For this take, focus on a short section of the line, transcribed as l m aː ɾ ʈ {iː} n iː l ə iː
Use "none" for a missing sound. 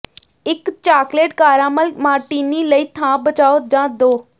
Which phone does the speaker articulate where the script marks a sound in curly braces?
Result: iː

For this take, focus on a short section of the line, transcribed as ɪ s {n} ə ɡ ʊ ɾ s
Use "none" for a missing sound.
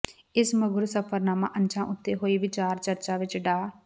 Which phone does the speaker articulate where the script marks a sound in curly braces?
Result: m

